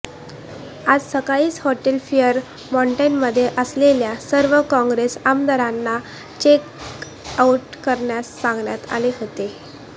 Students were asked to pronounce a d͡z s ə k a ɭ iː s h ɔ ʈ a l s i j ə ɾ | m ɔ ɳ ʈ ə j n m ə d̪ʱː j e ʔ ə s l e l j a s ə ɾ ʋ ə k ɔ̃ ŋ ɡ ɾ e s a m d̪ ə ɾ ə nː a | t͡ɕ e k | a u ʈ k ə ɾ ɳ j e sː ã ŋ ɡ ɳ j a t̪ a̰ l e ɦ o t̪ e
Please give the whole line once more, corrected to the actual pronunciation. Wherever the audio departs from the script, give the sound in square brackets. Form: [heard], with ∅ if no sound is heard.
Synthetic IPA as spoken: a d͡z s ə k a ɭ iː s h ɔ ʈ [e] l [f] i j ə ɾ | m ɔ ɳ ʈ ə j n m ə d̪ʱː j e ʔ ə s l e l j a s ə ɾ ʋ ə k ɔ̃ ŋ ɡ ɾ e s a m d̪ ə ɾ [a] nː a | t͡ɕ e k | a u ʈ k ə ɾ ɳ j [a] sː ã ŋ ɡ ɳ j a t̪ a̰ l e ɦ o t̪ e